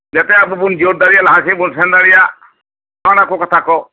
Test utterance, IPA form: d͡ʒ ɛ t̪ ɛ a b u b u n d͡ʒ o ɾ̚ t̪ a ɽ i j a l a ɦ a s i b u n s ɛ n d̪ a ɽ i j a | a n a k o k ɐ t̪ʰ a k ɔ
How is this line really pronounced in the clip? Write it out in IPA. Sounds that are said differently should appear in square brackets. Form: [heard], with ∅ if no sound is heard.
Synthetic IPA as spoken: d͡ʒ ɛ t̪ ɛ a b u b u n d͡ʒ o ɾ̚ [d̪] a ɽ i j a l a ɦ a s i b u n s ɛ n d̪ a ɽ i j a | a n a k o k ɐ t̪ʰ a k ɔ